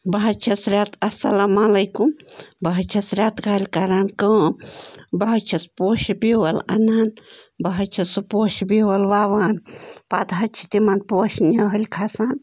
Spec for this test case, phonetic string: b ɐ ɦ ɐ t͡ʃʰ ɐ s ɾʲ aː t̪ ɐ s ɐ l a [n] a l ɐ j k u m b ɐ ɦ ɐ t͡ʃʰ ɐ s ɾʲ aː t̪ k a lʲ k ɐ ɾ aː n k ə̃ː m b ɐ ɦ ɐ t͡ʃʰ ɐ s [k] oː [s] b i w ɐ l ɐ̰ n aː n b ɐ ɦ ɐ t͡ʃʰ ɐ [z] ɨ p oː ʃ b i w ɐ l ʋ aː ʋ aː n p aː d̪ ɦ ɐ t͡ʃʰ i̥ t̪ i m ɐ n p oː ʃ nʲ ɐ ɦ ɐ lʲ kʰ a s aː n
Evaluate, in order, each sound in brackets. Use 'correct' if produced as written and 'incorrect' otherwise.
incorrect: m, incorrect: p, incorrect: ʃ, incorrect: s

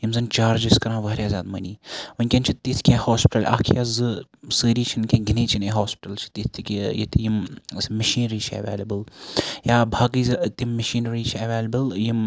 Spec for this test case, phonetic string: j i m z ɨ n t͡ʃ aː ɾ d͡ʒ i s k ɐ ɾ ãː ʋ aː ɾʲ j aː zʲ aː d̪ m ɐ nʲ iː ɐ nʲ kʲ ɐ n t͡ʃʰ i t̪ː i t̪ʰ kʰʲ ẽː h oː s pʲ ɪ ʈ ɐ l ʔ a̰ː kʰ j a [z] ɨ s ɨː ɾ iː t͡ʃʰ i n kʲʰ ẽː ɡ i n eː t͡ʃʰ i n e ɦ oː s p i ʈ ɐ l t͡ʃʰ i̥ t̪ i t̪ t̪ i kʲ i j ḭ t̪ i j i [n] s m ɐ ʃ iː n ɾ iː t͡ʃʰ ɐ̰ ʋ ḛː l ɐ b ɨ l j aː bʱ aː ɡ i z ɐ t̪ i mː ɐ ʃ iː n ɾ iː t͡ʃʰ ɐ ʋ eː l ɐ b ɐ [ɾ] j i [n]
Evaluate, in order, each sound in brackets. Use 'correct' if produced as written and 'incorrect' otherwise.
correct, incorrect: m, incorrect: l, incorrect: m

